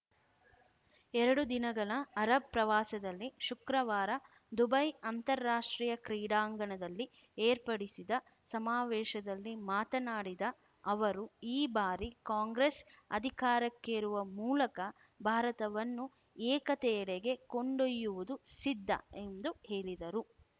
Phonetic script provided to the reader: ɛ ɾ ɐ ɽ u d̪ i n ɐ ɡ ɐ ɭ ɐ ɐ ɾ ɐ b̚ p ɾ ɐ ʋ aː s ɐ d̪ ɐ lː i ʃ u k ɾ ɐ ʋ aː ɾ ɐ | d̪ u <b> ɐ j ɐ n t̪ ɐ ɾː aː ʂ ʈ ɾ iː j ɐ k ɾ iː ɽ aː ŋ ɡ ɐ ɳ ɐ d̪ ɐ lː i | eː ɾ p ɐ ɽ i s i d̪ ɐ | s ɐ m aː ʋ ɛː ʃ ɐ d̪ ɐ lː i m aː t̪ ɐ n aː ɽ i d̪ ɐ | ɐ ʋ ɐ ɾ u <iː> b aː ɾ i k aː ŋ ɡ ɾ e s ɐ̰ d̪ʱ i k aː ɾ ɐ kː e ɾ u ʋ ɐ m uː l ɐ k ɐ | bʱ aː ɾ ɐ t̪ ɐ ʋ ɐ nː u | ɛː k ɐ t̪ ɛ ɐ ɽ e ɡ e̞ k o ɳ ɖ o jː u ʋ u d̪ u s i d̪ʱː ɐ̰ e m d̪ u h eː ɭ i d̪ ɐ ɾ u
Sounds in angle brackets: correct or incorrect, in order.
correct, correct

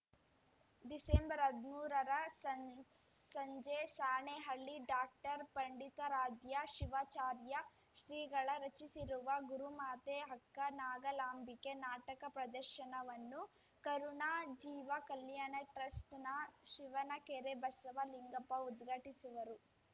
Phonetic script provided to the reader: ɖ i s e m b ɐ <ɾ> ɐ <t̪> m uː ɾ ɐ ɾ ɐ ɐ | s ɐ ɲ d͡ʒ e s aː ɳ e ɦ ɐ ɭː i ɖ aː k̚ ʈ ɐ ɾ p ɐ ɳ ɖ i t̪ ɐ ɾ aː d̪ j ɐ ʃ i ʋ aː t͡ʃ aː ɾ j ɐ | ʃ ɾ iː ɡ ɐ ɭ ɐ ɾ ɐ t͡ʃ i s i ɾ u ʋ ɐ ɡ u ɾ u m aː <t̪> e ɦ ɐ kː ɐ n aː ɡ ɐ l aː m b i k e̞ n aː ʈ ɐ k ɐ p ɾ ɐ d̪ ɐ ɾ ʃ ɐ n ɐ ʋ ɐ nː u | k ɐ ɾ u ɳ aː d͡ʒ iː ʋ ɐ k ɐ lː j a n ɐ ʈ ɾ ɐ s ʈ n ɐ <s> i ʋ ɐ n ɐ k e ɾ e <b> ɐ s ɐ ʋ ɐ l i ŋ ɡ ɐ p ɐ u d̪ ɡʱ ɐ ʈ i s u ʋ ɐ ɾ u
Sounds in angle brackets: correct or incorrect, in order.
correct, incorrect, correct, incorrect, correct

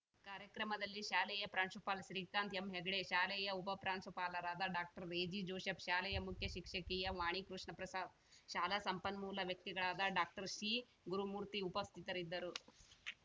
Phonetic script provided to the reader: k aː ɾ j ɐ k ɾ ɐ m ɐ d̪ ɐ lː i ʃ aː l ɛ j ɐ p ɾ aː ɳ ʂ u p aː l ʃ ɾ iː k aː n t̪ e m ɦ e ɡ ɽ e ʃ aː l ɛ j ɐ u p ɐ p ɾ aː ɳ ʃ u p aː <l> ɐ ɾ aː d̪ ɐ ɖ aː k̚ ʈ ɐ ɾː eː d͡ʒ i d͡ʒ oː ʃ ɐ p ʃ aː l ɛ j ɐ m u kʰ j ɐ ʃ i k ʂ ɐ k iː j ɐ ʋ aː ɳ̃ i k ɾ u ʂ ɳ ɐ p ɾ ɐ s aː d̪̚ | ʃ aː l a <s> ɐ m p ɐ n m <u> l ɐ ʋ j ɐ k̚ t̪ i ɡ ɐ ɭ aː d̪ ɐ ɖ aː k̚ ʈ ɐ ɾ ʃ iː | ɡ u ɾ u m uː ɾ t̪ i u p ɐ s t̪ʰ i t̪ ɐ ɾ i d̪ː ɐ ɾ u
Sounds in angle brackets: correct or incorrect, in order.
correct, correct, incorrect

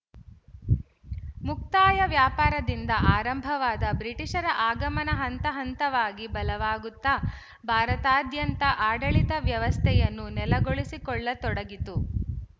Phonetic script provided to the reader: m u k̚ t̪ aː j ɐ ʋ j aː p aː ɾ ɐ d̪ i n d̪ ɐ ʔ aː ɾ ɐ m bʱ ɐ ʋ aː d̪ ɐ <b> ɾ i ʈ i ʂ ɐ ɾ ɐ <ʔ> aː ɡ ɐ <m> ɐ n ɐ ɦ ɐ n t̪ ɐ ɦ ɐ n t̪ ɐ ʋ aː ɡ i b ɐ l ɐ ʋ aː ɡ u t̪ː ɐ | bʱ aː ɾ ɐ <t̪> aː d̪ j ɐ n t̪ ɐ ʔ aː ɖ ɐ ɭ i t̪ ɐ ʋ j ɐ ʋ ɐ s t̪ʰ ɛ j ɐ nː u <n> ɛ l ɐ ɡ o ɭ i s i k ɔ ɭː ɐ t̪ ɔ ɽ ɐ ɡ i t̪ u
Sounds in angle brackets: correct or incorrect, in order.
correct, correct, correct, correct, correct

